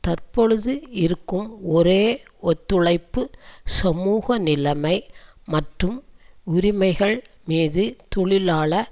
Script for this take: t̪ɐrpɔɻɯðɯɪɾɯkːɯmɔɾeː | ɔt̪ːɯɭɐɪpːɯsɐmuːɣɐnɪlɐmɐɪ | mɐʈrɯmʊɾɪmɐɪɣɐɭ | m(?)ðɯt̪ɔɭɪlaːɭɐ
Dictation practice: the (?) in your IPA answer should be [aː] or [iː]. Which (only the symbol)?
iː